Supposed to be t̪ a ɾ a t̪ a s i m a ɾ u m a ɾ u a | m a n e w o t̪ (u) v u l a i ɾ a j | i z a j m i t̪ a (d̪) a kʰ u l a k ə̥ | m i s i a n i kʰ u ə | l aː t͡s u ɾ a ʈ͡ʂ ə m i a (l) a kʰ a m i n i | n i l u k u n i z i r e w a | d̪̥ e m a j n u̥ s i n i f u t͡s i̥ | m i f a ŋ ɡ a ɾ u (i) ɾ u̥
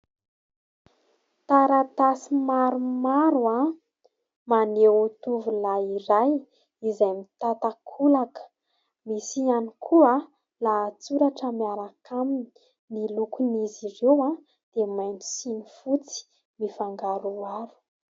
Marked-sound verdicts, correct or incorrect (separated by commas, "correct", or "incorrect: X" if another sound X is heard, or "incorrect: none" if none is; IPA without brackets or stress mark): correct, incorrect: t̪, incorrect: ɾ, incorrect: a